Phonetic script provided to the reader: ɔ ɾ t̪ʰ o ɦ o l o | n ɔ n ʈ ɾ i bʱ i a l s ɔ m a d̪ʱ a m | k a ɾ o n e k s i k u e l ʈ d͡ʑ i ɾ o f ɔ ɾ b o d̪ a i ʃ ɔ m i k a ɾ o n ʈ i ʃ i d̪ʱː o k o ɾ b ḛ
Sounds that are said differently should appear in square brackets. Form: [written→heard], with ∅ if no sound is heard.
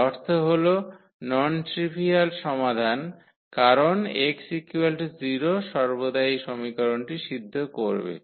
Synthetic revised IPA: ɔ ɾ t̪ʰ o ɦ o l o | n ɔ n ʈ ɾ i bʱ i a l [s→ʃ] ɔ m a d̪ʱ a [m→n] | k a ɾ o n e k s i k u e l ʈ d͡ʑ i ɾ o [f→ʃ] ɔ ɾ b o d̪ a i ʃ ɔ m i k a ɾ o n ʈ i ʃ i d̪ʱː o k o ɾ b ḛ

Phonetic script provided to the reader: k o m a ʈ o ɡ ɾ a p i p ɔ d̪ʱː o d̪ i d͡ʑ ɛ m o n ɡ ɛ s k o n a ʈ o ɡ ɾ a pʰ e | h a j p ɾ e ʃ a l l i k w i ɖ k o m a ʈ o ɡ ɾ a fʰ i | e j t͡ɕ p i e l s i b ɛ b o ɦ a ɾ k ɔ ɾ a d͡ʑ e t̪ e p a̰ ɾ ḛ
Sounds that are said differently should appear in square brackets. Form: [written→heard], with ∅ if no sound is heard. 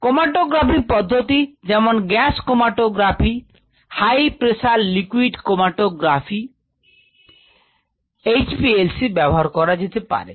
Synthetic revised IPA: k o m a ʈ o ɡ ɾ a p i p ɔ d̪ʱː o [d̪→t̪] i d͡ʑ ɛ m o n ɡ ɛ s k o [n→m] a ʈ o ɡ ɾ a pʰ [e→i] | h a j p ɾ e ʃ a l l i k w i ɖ k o m a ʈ o ɡ ɾ a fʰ i | e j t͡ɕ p i e l s i b ɛ b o ɦ a ɾ k ɔ ɾ a d͡ʑ e t̪ e p a̰ ɾ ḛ

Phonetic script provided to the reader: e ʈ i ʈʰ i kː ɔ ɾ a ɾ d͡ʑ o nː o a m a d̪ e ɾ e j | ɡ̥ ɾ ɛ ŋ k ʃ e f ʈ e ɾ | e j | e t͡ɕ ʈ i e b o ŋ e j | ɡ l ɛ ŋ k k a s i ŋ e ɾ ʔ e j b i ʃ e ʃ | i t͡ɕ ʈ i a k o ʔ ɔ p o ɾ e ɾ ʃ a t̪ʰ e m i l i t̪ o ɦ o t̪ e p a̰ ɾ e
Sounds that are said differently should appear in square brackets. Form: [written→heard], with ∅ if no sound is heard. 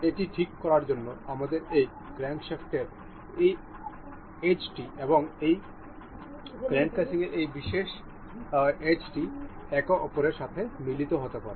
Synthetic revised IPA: e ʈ i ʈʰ i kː ɔ ɾ a ɾ d͡ʑ o nː o a m a d̪ e ɾ e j | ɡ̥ ɾ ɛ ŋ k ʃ e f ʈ e ɾ | e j | e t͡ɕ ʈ i e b o ŋ e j | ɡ [l→ɾ] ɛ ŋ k k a s i ŋ e ɾ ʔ e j b i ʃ e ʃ | [i→e] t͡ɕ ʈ i [a→ɛ] k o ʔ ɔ p o ɾ e ɾ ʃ a t̪ʰ e m i l i t̪ o ɦ o t̪ e p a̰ ɾ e

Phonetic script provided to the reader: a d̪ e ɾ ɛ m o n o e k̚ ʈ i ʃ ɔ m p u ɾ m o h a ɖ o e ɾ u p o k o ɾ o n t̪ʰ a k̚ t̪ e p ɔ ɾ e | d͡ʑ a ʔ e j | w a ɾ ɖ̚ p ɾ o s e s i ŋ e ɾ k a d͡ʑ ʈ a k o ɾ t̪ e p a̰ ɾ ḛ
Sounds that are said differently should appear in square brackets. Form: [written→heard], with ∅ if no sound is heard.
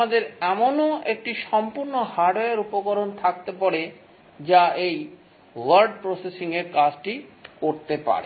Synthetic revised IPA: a d̪ e ɾ ɛ m o n o e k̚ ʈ i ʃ ɔ m p u ɾ [m→n] o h a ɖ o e ɾ u p o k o ɾ o n t̪ʰ a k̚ t̪ e p ɔ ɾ e | d͡ʑ a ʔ e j | w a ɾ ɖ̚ p ɾ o s e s i ŋ e ɾ k a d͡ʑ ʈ [a→i] k o ɾ t̪ e p a̰ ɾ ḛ

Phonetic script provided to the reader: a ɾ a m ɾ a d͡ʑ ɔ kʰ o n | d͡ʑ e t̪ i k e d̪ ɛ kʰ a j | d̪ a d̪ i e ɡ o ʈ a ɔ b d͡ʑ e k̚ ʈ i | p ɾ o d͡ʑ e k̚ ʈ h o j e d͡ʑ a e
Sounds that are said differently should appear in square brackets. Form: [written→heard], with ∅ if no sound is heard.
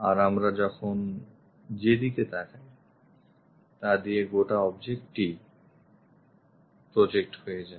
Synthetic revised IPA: a ɾ a m ɾ a d͡ʑ ɔ kʰ o n | d͡ʑ e [t̪→d̪] i k e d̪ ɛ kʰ a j | [d̪→t̪] a d̪ i e ɡ o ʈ a ɔ b d͡ʑ e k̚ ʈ i | p ɾ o d͡ʑ e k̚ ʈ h o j e d͡ʑ a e

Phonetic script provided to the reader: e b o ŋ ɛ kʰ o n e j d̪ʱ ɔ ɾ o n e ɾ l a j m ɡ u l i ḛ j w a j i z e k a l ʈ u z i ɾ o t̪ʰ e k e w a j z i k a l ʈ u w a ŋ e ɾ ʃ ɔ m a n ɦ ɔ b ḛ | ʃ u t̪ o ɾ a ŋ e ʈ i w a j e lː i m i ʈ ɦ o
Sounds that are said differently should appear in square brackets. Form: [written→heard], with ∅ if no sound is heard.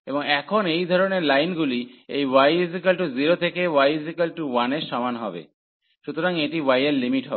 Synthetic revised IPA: e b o ŋ ɛ kʰ o n e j d̪ʱ ɔ ɾ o n e ɾ l a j [m→n] ɡ u l i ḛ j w a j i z [e→i] k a l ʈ u z i ɾ o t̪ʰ e k e w a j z i k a l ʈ u w a [ŋ→n] e ɾ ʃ ɔ m a n ɦ ɔ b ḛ | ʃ u t̪ o ɾ a ŋ e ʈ i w a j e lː i m i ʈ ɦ [o→ɔ]

